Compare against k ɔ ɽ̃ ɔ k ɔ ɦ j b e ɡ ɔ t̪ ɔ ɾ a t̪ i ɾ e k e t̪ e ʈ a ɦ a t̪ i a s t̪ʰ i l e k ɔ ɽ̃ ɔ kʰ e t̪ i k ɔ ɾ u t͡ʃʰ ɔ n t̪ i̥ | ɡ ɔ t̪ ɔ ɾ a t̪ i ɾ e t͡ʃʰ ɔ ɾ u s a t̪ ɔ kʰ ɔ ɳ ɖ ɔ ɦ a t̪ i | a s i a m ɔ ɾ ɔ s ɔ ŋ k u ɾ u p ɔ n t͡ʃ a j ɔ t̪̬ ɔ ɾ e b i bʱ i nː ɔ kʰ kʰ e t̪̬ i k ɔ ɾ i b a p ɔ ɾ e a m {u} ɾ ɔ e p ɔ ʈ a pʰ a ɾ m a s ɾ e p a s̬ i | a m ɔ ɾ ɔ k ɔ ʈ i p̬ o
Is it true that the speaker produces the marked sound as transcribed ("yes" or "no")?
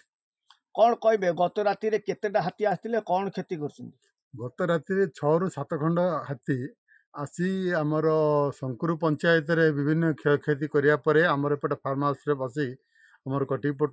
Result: no